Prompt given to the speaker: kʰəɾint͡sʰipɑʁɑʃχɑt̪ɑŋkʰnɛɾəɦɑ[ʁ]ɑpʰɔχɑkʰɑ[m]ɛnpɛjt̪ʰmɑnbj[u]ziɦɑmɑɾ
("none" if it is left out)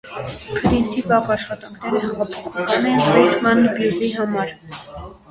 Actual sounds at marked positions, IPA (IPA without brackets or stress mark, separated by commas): ʁ, n, u